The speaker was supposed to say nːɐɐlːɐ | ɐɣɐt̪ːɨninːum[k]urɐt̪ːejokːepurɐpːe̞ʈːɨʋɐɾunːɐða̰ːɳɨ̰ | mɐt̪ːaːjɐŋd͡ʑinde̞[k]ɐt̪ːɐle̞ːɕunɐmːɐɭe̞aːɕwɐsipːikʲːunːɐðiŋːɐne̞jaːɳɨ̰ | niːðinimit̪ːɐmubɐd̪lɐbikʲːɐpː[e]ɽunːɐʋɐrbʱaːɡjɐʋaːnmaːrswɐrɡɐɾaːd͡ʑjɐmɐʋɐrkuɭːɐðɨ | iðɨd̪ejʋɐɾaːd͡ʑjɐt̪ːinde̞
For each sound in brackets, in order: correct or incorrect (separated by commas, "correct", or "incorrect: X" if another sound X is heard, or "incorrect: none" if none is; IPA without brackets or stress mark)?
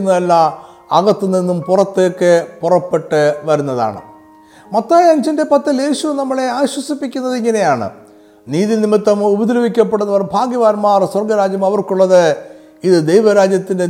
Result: incorrect: p, incorrect: p, correct